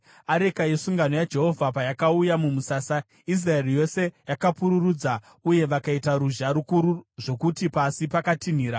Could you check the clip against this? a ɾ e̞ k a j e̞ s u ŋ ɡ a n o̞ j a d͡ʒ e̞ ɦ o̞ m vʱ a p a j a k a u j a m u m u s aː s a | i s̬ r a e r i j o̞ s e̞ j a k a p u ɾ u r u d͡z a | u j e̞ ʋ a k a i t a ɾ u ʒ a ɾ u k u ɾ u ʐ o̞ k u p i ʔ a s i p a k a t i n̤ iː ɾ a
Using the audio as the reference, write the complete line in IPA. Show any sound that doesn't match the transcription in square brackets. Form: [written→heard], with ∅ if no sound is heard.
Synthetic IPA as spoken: a ɾ e̞ k a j e̞ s u ŋ ɡ a n o̞ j a d͡ʒ e̞ ɦ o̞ [m→∅] vʱ a p a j a k a u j a m u m u s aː s a | i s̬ r a e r i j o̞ s e̞ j a k a p u ɾ u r u d͡z a | u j e̞ ʋ a k a i t a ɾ u ʒ a ɾ u k u ɾ u ʐ o̞ k u [p→t] i [ʔ→p] a s i p a k a t i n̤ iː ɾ a